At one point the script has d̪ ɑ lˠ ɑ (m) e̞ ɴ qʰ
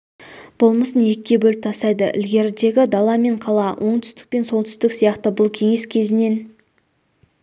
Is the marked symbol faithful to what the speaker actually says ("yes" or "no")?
yes